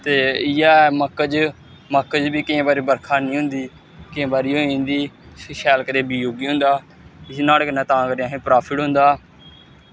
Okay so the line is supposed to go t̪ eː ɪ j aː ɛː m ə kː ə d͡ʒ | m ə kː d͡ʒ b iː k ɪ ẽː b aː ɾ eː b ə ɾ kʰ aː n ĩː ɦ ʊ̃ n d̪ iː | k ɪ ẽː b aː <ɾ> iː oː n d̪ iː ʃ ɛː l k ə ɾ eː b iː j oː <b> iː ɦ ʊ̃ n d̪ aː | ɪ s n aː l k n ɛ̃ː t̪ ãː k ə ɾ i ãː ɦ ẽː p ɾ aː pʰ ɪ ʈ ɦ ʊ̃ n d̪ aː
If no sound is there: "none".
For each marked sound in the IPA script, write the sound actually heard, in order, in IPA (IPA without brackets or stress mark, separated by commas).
ɾ, ɡ